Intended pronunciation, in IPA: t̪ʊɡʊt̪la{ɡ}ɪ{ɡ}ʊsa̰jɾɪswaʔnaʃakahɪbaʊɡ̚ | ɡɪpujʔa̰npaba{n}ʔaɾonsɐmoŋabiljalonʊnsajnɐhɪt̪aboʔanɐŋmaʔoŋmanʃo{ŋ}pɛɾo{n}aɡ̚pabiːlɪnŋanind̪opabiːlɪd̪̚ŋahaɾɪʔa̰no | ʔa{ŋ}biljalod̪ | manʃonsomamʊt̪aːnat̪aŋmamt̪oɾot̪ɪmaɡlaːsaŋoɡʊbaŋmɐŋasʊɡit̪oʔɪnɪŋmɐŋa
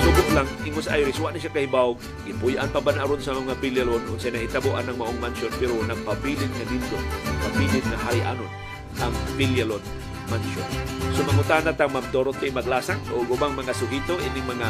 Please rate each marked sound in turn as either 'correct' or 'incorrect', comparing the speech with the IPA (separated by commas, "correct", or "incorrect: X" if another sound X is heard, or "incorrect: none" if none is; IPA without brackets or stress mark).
incorrect: ŋ, incorrect: ŋ, correct, incorrect: n, correct, correct